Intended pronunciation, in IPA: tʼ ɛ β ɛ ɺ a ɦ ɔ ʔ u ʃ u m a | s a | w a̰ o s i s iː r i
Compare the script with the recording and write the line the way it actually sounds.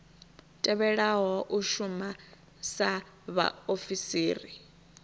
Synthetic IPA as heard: tʼ ɛ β ɛ ɺ a ɦ ɔ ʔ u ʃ u m a | s a | β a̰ o f i s iː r i